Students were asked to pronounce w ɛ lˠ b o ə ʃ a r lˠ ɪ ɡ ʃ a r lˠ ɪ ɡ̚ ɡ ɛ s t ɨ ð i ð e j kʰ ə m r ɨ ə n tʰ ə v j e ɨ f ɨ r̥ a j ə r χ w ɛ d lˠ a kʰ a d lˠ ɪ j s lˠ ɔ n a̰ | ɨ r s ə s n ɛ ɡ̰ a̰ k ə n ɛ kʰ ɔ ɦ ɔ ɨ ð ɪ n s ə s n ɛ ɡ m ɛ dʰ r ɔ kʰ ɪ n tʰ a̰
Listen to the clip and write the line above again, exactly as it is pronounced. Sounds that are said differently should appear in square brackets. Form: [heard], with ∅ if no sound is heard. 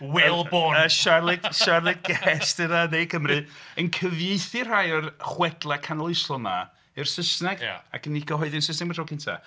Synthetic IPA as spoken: w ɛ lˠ b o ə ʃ a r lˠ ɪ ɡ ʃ a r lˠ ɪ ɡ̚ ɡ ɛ s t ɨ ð [a] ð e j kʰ ə m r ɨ ə n [kʰ] ə v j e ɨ [θ] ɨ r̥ a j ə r χ w ɛ d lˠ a kʰ a [n] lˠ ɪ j s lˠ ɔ n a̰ | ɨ r s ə s n ɛ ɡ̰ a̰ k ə n [i] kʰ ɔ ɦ ɔ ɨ ð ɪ n s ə s n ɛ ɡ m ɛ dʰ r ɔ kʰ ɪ n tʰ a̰